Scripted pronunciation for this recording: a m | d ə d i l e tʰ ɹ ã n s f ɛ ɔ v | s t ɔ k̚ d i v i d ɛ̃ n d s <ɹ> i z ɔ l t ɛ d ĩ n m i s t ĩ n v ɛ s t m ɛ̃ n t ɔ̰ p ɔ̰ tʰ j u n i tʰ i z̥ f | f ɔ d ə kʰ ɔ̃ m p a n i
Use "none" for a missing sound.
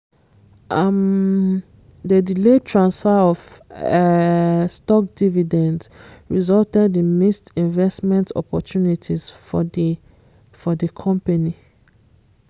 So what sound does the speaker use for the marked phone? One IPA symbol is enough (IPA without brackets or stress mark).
ɹ